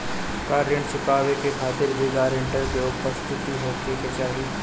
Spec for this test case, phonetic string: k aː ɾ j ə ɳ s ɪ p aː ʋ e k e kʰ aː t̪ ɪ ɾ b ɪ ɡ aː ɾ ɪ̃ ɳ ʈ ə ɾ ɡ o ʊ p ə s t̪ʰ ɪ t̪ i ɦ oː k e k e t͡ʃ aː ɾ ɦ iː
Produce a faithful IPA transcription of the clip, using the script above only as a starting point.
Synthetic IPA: k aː ɾ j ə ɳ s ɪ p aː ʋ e k e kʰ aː t̪ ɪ ɾ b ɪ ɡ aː ɾ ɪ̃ ɳ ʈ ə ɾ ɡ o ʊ p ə s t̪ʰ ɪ t̪ i ɦ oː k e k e t͡ʃ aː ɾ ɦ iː

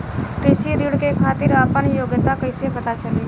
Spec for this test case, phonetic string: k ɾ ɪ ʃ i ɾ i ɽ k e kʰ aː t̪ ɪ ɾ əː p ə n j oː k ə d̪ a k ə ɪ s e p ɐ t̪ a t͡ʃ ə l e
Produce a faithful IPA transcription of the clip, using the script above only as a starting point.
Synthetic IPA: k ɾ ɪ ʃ i ɾ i ɽ k e kʰ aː t̪ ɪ ɾ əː p ə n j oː ɡ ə t̪ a k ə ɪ s e p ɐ t̪ a t͡ʃ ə l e

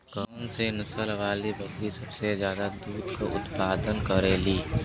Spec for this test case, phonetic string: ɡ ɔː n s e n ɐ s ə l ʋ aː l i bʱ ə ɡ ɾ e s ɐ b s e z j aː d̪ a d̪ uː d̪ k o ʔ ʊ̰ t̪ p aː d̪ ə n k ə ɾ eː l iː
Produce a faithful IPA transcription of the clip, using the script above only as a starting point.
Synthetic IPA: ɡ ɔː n s e n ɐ s ə l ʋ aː l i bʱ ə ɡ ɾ i s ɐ b s e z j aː d̪ a d̪ uː d̪ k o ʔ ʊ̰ t̪ p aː d̪ ə n k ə ɾ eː l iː

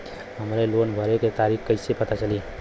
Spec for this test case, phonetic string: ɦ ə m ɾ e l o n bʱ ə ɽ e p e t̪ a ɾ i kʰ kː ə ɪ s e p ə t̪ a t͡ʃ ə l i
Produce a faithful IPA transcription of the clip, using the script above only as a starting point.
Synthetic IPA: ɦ ə m ɾ e l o n bʱ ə ɾ e k e t̪ a ɾ i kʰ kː ə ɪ s e p ə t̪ a t͡ʃ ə l i

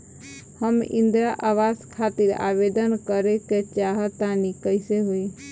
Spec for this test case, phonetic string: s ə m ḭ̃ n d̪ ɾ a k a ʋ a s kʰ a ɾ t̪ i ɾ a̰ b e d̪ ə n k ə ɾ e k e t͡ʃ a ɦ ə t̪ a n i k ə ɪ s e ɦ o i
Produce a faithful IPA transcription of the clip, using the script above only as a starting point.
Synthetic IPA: h ə m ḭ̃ n d̪ ɾ a ʔ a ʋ a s kʰ a t̪ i ɾ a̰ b e d̪ ə n k ə ɾ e k e t͡ʃ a ɦ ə t̪ a n i k ə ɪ s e ɦ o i

